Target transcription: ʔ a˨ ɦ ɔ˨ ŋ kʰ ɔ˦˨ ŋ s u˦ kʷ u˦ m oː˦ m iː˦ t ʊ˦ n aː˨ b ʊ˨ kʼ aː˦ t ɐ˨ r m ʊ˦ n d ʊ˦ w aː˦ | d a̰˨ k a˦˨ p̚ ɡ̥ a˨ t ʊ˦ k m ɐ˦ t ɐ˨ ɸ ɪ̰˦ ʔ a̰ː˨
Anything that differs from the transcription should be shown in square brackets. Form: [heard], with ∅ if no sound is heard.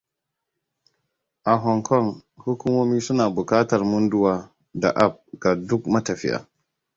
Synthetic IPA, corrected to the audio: ʔ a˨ ɦ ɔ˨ ŋ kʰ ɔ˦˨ ŋ [h] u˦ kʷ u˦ m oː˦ m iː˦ [s] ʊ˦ n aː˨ b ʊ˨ [k] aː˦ t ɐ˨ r m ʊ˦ n d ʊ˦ w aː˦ | d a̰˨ [ʔ] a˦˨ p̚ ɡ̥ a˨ [d] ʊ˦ k m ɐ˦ t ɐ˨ ɸ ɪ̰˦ ʔ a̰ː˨

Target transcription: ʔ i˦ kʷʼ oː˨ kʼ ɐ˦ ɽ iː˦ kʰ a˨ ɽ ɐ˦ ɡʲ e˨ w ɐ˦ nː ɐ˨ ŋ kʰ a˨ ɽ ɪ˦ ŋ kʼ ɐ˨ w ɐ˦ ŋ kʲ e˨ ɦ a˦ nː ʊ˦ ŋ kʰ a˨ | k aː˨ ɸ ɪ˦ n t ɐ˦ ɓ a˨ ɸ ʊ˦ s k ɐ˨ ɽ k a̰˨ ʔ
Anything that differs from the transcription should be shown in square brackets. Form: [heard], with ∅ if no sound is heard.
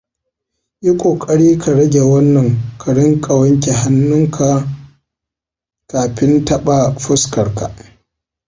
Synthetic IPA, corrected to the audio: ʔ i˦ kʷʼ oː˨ kʼ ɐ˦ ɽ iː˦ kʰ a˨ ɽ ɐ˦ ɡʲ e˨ w ɐ˦ nː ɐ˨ ŋ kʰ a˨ ɽ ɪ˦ ŋ kʼ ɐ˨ w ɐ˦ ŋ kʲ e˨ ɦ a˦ nː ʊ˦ ŋ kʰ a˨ | k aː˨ ɸ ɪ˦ n t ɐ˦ ɓ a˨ ɸ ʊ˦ s k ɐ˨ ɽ k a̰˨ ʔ

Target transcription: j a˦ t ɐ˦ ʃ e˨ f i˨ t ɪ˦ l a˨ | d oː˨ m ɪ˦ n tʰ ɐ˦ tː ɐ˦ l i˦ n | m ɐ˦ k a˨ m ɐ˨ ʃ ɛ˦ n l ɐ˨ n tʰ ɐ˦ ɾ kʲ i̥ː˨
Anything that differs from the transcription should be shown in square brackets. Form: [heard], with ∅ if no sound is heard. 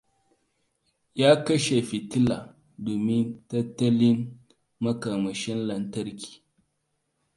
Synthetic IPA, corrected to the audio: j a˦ [k] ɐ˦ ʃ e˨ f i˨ t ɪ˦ l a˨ | d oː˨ m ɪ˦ n [t] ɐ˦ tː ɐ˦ l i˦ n | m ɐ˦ k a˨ m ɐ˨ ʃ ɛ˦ n l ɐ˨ n [t] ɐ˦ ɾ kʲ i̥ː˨

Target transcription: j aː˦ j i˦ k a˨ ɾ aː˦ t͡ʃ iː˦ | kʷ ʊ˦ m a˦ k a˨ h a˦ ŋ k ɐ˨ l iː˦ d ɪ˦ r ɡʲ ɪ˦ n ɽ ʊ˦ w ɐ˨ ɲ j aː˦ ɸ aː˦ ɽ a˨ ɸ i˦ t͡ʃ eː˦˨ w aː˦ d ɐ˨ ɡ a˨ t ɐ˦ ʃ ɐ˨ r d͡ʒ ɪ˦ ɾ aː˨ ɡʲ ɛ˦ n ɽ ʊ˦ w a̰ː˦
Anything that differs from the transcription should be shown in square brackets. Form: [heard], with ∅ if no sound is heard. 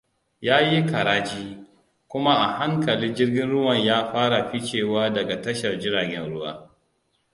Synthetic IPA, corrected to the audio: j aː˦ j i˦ k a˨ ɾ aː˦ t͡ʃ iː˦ | kʷ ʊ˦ m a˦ [ʔ] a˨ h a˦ ŋ k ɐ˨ l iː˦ [d͡ʒ] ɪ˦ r ɡʲ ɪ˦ n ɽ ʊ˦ w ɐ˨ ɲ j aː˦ ɸ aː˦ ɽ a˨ ɸ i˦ t͡ʃ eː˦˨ w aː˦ d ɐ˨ ɡ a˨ t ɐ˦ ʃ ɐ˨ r d͡ʒ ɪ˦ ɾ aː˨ ɡʲ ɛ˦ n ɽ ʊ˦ w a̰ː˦

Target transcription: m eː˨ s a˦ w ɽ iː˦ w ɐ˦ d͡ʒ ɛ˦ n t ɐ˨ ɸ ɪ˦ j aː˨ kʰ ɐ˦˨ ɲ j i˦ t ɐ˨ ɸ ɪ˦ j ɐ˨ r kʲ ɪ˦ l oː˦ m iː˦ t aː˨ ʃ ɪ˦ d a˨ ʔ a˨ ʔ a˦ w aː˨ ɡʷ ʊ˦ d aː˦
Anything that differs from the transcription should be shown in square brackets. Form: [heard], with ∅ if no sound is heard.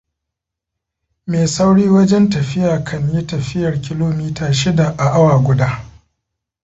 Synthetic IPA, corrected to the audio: m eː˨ s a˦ w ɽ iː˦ w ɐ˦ d͡ʒ ɛ˦ n t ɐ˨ ɸ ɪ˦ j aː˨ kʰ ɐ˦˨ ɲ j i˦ t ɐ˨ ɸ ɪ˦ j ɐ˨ r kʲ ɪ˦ l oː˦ m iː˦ t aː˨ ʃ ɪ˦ d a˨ ʔ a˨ ʔ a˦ w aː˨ ɡʷ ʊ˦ d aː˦

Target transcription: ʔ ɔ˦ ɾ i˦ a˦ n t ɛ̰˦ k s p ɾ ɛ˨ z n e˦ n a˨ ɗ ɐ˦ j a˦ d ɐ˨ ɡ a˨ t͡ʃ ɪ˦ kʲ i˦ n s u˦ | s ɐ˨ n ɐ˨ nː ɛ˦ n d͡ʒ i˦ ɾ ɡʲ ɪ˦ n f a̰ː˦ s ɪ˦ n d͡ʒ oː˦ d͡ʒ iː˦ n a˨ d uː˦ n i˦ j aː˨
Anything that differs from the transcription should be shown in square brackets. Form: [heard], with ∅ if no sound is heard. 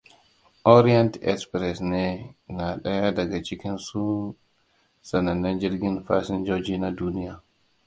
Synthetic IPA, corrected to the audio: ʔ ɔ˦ ɾ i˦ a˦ n t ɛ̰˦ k s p ɾ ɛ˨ [s] n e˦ n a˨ ɗ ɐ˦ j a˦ d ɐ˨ ɡ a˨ t͡ʃ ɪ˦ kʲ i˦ n s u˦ | s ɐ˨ n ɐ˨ nː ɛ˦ n d͡ʒ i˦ ɾ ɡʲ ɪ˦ n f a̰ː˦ s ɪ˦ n d͡ʒ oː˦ d͡ʒ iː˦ n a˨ d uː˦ n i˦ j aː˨

